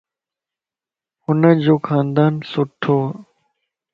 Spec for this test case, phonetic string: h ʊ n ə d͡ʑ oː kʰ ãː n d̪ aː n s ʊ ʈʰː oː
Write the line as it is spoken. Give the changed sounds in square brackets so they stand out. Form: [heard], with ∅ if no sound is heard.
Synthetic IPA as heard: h ʊ n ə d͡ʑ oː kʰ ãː n d̪ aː n s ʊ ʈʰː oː